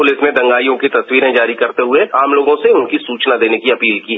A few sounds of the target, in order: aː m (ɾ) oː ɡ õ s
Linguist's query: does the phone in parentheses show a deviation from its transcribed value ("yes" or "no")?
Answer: yes